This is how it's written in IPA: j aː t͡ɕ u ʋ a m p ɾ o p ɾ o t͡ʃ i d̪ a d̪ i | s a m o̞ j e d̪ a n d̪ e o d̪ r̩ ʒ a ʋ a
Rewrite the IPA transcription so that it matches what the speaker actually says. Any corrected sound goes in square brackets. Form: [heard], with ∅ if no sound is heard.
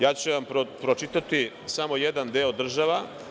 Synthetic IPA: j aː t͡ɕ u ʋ a m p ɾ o p ɾ o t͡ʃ i [t̪] a [t̪] i | s a m o̞ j e d̪ a n d̪ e o d̪ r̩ ʒ a ʋ a